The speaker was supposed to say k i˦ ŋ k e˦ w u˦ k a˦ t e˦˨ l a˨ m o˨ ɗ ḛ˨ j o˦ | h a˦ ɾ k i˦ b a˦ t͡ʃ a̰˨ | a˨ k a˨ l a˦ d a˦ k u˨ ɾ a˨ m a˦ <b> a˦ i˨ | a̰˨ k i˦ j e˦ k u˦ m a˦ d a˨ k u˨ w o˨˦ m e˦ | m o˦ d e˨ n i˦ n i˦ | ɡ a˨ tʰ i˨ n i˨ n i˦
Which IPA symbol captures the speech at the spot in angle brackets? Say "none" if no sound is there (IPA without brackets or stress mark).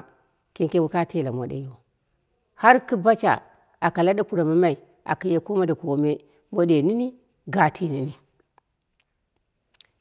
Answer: m